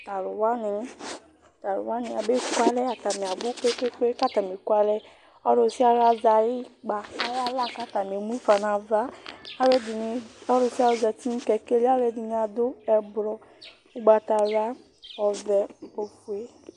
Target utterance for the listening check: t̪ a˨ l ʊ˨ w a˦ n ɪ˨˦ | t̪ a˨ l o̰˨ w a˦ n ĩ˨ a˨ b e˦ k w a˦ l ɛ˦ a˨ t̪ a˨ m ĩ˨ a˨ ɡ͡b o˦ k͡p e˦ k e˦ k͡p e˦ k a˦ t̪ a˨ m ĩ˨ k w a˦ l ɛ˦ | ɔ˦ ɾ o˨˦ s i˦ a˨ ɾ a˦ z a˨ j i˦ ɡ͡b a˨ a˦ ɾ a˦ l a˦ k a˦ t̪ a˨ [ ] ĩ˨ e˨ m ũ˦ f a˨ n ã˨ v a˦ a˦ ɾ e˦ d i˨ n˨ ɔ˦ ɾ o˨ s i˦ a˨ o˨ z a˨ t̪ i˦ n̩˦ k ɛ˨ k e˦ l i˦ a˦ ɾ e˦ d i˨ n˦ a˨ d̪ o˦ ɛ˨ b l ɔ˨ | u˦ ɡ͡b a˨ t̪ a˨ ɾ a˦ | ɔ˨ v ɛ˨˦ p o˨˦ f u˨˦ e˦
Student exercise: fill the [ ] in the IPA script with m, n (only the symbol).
m